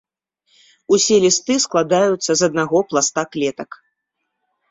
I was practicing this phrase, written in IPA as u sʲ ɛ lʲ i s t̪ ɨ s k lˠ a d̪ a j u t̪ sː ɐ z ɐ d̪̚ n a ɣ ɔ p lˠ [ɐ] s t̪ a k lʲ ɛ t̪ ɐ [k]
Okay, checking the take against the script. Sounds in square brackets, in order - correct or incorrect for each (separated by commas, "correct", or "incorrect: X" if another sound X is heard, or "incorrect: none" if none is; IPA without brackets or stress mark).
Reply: incorrect: a, correct